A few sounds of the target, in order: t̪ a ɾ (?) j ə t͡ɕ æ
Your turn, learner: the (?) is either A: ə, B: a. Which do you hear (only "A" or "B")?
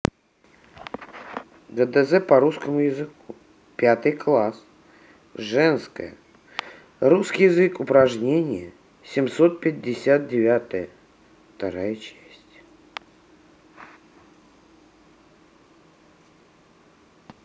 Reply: B